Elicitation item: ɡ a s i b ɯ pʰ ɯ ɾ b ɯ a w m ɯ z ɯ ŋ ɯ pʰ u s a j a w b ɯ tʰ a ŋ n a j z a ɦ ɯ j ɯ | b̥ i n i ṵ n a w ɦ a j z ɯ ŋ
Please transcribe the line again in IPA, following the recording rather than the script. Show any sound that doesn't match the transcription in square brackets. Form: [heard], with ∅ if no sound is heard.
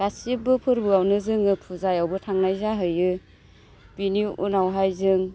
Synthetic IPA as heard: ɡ a s i b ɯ pʰ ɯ ɾ b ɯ a w [n] ɯ z ɯ ŋ ɯ pʰ u [z] a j a w b ɯ tʰ a ŋ n a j z a ɦ ɯ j ɯ | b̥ i n i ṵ n a w ɦ a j z ɯ ŋ